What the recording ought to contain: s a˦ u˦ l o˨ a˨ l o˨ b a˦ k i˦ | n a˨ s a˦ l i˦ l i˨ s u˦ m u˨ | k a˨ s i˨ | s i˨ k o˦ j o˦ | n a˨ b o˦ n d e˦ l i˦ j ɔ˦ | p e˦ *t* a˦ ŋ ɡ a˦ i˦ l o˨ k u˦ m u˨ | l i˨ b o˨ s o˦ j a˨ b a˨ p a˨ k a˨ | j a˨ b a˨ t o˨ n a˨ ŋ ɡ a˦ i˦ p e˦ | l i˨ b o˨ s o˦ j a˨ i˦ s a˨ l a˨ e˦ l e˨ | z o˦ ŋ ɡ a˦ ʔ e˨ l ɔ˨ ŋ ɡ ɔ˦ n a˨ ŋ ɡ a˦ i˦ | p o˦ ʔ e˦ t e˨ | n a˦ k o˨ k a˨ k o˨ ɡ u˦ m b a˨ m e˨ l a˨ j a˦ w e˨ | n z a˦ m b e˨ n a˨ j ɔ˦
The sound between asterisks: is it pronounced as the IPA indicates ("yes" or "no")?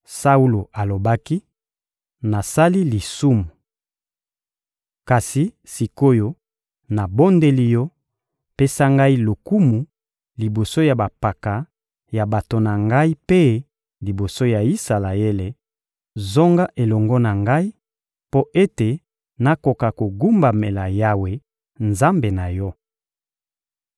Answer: no